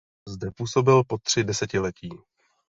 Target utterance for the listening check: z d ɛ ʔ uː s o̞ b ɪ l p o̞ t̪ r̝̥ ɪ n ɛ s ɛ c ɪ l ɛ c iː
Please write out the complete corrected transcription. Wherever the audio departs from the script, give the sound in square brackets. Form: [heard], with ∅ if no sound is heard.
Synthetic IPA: z d ɛ [p] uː s o̞ b ɪ l p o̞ t̪ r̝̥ ɪ [d] ɛ s ɛ c ɪ l ɛ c iː